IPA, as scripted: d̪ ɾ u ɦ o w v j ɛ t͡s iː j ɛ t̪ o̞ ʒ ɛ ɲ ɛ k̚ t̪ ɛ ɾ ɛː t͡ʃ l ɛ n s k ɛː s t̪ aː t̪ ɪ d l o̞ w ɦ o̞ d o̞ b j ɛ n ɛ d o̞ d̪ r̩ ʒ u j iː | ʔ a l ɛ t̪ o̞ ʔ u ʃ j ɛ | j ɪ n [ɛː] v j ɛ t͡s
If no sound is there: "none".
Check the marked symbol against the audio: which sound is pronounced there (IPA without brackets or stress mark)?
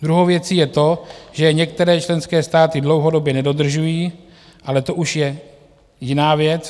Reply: aː